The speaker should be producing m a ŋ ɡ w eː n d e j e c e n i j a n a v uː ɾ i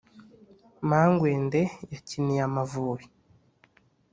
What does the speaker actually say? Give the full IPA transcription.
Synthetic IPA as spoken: m a ŋ ɡ w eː n d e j a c i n i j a m a v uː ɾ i